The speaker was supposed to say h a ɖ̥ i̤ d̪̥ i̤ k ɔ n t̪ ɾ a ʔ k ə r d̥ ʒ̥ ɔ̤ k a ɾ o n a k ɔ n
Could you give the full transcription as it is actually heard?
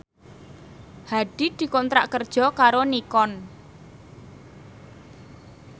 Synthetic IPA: h a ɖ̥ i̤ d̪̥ i̤ k ɔ n t̪ ɾ a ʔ k ə r d̥ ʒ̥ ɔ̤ k a ɾ o n i k ɔ n